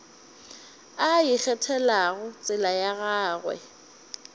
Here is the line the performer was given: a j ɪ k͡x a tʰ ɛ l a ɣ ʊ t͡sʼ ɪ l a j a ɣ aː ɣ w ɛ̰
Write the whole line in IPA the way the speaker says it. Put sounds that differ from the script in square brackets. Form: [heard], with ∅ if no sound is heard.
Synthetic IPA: a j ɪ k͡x [ɛ] tʰ ɛ l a ɣ ʊ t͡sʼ ɪ l a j a ɣ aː ɣ w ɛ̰